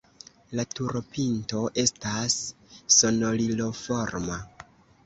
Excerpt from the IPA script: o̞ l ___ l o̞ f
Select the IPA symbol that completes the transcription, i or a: i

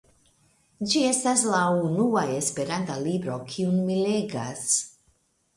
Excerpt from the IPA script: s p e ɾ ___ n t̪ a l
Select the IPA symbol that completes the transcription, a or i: a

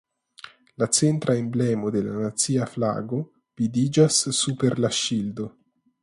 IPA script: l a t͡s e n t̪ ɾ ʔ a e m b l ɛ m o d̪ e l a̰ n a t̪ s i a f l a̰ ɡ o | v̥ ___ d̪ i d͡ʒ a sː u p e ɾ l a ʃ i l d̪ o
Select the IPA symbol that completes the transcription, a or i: i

